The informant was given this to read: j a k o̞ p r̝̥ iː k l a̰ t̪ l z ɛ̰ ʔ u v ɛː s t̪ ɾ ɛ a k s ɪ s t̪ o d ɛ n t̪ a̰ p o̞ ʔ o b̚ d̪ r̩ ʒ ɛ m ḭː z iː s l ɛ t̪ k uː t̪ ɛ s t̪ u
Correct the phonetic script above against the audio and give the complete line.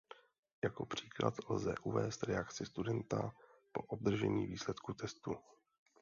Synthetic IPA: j a k o̞ p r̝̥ iː k l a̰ t̪ l z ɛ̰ ʔ u v ɛː s t̪ ɾ ɛ a k t͡s ɪ s t̪ u d ɛ n t̪ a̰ p o̞ ʔ o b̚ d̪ r̩ ʒ ɛ ɲ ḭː v iː s l ɛ t̪ k u t̪ ɛ s t̪ u